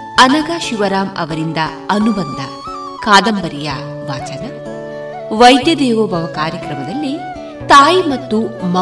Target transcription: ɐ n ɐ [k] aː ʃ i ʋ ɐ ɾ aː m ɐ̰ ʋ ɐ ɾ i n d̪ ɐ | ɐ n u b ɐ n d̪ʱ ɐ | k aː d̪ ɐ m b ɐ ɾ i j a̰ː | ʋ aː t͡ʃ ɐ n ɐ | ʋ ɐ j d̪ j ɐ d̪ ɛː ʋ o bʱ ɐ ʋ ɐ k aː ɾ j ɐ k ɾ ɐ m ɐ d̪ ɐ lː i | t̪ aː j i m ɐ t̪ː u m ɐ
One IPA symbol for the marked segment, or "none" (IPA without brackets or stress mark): ɡ